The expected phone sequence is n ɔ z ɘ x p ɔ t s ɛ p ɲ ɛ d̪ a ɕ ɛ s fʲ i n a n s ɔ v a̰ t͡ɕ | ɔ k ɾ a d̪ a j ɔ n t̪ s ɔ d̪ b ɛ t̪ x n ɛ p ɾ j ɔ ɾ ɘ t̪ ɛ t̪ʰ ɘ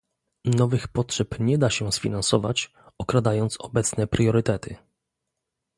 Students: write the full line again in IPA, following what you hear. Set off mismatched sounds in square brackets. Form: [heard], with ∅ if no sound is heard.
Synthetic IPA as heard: n ɔ [v] ɘ x p ɔ t [ʂ] ɛ p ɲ ɛ d̪ a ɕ ɛ s fʲ i n a n s ɔ v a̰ t͡ɕ | ɔ k ɾ a d̪ a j ɔ n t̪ s ɔ [∅] b ɛ t̪ [s] n ɛ p ɾ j ɔ ɾ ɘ t̪ ɛ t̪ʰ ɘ